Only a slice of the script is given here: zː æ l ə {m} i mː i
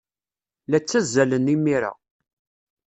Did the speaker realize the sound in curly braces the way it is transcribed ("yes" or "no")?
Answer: no